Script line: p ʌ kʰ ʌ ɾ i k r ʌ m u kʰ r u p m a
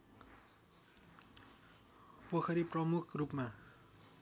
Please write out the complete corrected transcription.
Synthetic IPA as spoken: p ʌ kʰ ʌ ɾ i p r ʌ m u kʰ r u p m a